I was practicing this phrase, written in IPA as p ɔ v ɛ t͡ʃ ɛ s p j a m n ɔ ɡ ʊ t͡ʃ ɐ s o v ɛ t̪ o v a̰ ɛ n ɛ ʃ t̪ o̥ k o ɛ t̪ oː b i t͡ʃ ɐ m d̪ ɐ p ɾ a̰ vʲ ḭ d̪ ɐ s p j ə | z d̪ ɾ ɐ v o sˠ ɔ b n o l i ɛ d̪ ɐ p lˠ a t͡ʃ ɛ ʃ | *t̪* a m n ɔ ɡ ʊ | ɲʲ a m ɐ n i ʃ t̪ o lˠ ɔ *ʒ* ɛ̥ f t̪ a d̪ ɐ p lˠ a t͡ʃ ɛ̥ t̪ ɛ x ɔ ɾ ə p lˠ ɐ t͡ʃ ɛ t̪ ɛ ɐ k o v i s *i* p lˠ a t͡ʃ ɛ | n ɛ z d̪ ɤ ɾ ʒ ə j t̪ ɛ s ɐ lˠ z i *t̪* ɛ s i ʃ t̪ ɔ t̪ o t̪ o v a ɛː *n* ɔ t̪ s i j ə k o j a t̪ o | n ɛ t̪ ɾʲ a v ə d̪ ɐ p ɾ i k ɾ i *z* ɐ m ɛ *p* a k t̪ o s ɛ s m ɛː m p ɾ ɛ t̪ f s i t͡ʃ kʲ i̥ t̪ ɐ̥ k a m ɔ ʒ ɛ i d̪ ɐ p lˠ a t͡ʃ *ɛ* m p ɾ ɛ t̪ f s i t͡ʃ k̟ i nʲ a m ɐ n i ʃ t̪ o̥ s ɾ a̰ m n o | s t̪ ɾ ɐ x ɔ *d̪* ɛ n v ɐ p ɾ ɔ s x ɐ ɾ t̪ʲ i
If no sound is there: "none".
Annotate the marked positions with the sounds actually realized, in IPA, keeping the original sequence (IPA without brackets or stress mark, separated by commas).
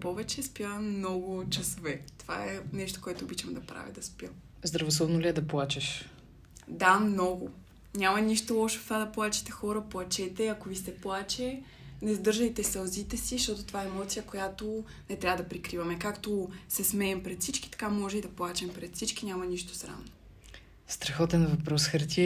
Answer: d̪, ʃ, ɛ, t̪, m, v, k, ɛ, t̪